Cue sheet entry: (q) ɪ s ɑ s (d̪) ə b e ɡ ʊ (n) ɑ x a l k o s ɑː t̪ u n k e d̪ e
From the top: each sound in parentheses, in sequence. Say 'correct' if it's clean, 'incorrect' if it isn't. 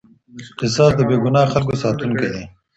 correct, correct, correct

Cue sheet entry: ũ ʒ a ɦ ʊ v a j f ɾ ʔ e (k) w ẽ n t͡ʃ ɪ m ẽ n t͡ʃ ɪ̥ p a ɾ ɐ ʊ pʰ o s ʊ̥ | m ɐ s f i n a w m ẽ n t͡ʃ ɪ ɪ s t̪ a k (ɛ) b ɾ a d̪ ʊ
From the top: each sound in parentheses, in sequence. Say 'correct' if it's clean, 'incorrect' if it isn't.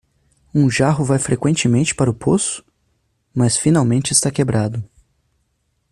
correct, incorrect

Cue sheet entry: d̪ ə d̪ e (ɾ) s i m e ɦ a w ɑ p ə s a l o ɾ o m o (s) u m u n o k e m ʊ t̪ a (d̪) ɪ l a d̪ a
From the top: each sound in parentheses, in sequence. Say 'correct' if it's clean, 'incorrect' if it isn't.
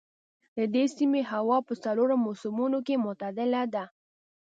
incorrect, correct, correct

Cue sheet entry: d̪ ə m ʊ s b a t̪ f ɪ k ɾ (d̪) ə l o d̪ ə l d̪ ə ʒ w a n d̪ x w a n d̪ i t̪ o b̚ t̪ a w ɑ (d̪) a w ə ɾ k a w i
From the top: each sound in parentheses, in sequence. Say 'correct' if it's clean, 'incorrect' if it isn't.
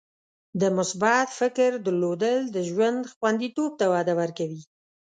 correct, correct

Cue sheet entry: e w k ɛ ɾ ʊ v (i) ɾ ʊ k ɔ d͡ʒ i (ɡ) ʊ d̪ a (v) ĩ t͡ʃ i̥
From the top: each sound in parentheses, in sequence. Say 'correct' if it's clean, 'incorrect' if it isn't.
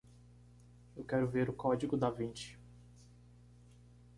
incorrect, correct, correct

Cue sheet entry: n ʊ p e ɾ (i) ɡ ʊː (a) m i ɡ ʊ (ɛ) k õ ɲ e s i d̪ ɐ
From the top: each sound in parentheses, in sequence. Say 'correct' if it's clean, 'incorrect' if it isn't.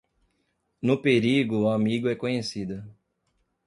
correct, correct, correct

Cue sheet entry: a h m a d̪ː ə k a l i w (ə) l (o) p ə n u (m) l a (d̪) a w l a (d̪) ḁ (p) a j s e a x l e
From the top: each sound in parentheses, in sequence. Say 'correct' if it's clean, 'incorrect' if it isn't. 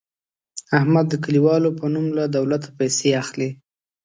incorrect, correct, correct, correct, incorrect, correct

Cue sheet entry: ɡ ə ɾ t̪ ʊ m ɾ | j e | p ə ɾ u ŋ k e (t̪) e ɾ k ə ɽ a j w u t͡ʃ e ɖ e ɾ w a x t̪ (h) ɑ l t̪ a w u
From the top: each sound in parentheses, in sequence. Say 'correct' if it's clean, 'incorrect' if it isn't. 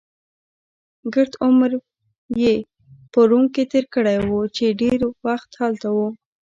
correct, correct

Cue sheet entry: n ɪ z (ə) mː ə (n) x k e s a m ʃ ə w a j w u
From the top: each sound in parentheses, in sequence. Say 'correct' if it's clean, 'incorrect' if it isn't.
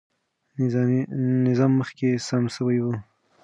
incorrect, incorrect

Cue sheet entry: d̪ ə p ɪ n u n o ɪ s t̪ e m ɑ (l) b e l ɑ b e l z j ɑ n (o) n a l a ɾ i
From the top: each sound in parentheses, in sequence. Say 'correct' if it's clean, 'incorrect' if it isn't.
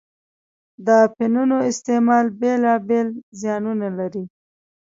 correct, incorrect

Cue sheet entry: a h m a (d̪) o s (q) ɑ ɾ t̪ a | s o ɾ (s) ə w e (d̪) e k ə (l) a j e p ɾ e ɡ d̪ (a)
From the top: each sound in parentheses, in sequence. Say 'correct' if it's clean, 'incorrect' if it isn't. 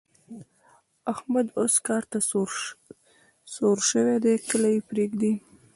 correct, incorrect, incorrect, correct, correct, incorrect

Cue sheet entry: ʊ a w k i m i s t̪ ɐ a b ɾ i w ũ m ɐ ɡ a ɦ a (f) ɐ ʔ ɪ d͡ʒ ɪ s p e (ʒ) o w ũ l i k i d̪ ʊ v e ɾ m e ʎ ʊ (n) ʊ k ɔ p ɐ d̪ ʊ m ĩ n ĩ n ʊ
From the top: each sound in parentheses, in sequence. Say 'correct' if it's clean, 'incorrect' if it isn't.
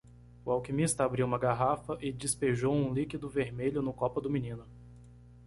correct, correct, correct

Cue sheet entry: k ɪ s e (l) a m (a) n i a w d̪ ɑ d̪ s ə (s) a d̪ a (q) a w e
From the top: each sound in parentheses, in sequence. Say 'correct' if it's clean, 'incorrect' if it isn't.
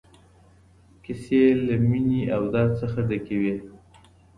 correct, incorrect, incorrect, incorrect

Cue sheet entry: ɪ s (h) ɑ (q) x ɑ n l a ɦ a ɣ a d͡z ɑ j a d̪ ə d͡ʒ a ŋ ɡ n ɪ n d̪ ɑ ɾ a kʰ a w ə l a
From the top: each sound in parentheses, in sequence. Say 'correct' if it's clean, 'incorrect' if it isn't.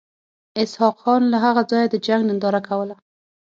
correct, correct

